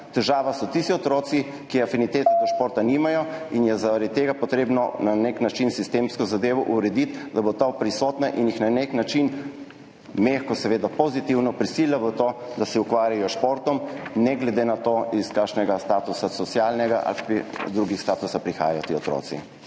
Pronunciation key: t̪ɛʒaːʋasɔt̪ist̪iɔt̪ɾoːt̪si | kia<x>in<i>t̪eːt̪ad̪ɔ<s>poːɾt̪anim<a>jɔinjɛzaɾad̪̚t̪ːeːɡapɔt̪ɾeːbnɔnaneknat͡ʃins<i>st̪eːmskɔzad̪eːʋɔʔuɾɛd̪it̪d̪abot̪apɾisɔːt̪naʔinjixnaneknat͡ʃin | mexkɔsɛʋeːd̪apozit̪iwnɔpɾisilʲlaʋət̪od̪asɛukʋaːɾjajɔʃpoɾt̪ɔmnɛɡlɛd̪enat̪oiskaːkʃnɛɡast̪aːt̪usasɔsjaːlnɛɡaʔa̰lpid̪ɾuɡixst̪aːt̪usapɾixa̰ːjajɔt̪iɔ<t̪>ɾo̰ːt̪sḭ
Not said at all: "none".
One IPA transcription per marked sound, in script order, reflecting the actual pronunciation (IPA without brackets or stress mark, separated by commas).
f, i, ʃ, a, i, t̪